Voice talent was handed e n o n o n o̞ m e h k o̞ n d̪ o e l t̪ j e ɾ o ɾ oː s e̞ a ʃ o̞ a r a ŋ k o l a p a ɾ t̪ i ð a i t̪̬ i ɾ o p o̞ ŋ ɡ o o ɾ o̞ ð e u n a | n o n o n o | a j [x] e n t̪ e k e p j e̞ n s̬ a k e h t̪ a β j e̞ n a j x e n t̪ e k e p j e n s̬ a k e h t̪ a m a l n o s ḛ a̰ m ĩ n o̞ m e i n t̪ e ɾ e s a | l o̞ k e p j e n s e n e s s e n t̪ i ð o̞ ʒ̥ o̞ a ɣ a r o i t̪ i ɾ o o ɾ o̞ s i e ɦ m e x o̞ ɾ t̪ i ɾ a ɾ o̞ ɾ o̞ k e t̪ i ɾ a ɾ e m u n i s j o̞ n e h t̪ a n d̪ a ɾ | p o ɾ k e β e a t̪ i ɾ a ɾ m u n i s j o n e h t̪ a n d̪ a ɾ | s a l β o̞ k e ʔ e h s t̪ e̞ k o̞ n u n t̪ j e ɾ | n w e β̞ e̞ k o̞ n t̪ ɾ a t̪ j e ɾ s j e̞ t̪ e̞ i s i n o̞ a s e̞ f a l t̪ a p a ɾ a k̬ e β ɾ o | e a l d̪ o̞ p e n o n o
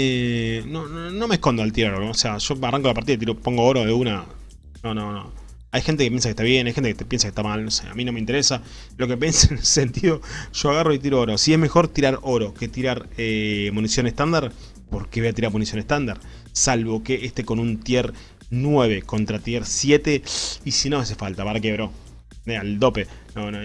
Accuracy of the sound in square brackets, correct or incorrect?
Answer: correct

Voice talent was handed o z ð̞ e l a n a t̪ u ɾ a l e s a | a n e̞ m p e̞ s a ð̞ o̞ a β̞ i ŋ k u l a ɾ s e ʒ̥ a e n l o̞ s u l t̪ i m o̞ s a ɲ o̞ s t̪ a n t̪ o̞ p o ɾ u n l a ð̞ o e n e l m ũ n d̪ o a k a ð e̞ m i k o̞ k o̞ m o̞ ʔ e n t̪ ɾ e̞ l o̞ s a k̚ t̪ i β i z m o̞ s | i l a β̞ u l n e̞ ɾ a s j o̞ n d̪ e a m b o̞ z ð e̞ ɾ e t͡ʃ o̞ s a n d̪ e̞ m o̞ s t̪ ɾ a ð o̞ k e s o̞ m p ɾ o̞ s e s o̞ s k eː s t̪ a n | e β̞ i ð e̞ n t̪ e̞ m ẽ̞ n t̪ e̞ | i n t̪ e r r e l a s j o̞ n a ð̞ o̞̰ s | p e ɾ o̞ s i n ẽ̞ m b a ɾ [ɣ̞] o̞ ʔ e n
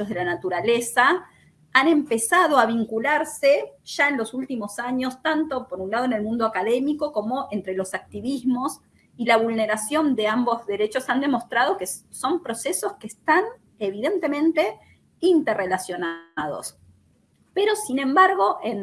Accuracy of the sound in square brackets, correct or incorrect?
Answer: correct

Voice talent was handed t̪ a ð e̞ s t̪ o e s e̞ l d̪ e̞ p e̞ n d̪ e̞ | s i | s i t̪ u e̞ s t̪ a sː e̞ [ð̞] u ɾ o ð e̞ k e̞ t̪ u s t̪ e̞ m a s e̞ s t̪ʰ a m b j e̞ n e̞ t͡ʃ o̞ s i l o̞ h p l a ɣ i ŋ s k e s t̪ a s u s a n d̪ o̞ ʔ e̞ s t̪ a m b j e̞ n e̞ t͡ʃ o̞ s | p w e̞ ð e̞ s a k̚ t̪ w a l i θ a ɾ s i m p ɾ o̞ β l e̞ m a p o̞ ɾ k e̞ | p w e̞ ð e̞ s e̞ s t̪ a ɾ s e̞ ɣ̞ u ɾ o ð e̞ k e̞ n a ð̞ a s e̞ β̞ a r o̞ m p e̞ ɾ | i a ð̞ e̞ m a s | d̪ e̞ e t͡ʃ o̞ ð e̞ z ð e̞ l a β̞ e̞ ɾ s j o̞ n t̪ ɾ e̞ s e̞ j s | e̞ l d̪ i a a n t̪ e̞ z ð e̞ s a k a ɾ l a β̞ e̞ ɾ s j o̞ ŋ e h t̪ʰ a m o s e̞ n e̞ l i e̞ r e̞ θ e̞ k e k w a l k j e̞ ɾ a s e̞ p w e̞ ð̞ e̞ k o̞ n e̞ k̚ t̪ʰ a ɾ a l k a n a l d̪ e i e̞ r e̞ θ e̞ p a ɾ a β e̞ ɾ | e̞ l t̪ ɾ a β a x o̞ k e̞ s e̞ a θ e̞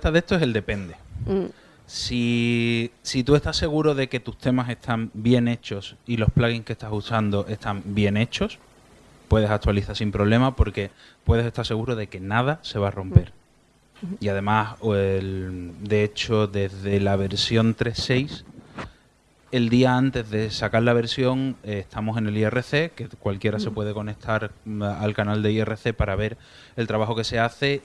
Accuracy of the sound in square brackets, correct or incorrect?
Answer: incorrect: ɣ̞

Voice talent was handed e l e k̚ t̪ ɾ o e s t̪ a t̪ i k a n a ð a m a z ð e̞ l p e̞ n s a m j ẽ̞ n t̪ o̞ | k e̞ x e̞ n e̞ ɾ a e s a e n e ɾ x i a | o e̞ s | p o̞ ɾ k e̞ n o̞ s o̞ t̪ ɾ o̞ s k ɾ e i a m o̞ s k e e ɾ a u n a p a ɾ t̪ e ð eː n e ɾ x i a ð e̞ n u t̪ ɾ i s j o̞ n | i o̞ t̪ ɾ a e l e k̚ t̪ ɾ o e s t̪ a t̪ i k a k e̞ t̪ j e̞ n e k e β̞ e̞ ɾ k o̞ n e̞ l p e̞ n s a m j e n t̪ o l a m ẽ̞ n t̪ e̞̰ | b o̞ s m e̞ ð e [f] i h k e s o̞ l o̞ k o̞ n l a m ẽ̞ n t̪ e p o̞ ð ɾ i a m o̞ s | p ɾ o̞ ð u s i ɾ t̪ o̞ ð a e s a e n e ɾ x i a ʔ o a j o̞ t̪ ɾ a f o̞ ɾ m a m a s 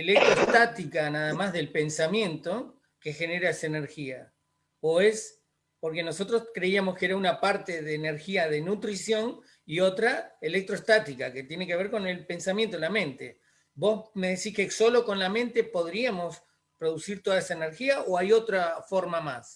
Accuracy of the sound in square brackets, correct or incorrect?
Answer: incorrect: s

